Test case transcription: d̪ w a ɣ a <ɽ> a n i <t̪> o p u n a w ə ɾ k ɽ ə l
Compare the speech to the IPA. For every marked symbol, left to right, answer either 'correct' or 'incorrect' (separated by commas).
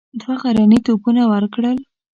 incorrect, correct